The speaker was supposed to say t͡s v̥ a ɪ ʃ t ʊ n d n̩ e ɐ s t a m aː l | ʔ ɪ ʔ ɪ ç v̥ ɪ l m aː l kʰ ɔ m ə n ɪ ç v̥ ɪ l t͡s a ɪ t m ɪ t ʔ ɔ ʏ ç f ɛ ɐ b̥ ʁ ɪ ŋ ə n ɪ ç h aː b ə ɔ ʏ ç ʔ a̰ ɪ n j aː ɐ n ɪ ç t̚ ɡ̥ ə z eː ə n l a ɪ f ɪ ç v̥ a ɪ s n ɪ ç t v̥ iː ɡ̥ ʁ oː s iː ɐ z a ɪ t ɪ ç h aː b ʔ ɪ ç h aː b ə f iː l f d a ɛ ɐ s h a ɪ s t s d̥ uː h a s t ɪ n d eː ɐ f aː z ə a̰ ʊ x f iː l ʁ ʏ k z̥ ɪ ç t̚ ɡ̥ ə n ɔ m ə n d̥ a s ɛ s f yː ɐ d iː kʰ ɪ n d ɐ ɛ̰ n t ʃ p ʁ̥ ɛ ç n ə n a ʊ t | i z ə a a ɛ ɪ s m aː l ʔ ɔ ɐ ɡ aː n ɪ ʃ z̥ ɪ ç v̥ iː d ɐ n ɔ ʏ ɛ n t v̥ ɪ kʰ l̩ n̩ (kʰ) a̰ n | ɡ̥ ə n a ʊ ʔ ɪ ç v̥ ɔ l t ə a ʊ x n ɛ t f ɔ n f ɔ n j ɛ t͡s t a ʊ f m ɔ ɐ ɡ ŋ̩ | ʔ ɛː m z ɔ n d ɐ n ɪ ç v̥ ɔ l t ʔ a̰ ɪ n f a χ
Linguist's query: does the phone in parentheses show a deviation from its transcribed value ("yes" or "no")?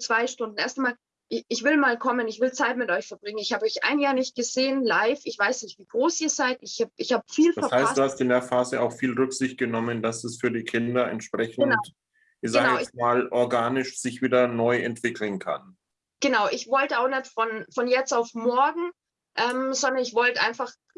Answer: no